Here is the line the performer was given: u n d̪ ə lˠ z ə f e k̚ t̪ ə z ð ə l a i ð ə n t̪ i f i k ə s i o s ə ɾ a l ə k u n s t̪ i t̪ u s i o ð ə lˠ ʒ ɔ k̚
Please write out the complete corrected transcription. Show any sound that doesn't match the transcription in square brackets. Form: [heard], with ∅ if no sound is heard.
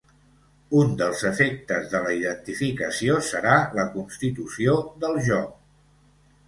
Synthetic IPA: u n d̪ ə lˠ z ə f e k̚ t̪ ə z ð ə l [ə] i ð ə n t̪ i f i k ə s i o s ə ɾ a l ə k u n s t̪ i t̪ u s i o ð ə lˠ ʒ ɔ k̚